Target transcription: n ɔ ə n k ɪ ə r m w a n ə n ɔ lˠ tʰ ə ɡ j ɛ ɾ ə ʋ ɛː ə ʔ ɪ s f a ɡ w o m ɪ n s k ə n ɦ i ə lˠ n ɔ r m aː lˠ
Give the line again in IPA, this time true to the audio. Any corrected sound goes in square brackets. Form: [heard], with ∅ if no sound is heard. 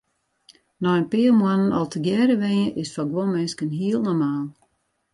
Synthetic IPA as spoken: n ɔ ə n [p] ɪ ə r m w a n ə n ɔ lˠ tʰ ə ɡ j ɛ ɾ ə ʋ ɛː ə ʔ ɪ s f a ɡ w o m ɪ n s k ə n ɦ i ə lˠ n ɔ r m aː lˠ